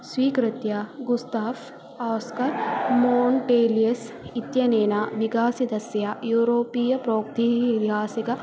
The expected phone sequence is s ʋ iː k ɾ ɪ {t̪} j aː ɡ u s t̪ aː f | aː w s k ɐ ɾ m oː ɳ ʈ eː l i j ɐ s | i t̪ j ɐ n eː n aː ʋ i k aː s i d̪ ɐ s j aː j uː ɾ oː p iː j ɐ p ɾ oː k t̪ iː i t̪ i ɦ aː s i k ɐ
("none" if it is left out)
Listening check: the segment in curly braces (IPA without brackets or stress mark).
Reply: t̪